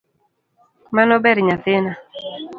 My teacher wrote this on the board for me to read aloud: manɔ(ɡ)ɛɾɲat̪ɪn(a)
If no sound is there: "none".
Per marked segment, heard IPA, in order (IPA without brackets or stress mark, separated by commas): b, a